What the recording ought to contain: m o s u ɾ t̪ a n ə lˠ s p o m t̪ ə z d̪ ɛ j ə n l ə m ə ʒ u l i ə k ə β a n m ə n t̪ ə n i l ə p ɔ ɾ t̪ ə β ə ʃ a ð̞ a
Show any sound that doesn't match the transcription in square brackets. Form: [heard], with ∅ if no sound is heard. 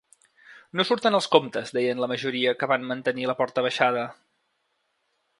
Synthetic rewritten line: [n] o s u ɾ t̪ [ə] n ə lˠ s [k] o m t̪ ə z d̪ ɛ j ə n l ə m ə ʒ u [ɾ] i ə k ə β a n m ə n t̪ ə n i l ə p ɔ ɾ t̪ ə β ə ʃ a ð̞ [ə]